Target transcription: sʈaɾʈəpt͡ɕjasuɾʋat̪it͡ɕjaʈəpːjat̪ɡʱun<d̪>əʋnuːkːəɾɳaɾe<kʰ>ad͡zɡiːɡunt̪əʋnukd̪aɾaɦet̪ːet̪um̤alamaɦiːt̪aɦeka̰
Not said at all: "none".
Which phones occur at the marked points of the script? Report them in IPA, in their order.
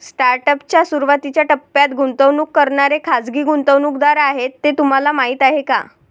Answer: t̪, kʰ

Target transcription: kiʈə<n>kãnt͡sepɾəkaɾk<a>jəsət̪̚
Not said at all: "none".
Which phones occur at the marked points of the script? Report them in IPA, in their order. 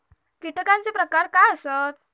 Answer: none, a

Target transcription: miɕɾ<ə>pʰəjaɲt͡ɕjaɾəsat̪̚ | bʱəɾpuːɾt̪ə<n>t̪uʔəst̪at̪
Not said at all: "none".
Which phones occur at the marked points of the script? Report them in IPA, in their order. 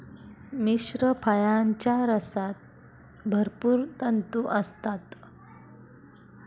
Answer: ə, n

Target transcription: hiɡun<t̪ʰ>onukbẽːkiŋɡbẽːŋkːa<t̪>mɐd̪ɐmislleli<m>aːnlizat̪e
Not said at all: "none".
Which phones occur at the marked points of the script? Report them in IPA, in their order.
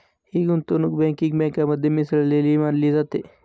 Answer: t̪, none, m

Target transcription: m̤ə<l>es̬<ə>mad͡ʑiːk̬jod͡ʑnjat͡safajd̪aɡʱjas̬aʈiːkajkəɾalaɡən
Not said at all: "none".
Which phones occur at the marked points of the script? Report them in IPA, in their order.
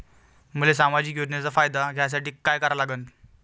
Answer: l, a

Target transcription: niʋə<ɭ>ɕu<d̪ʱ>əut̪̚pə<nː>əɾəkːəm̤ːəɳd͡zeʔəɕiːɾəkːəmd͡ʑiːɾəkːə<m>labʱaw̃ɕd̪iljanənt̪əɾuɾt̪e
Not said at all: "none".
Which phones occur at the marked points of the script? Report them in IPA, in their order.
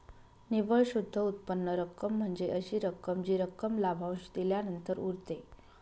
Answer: ɭ, d̪ʱː, nː, m

